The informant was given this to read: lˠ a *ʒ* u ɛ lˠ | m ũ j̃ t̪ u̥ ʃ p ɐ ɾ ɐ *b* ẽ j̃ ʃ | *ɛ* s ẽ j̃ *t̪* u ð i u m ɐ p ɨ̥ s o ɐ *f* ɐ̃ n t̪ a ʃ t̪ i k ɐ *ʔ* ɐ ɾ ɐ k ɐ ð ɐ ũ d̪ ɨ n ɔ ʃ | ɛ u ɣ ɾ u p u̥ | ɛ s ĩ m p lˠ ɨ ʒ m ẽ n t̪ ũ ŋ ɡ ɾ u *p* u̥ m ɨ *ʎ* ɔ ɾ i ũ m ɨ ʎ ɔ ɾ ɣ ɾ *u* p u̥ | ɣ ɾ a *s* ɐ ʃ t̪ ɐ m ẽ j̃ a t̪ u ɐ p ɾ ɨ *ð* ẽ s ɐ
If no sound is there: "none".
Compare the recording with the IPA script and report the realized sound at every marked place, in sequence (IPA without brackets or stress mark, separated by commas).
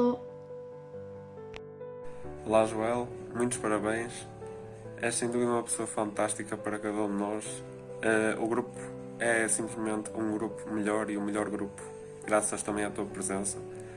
ʒ, β, ɛ, d̪, f, p, p, ʎ, u, s, z